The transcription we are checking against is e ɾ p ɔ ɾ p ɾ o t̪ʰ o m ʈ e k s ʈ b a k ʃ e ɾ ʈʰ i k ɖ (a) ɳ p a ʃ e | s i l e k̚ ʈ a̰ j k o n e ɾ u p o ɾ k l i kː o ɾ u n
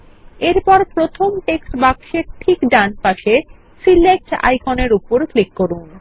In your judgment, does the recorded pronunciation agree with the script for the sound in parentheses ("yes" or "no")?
yes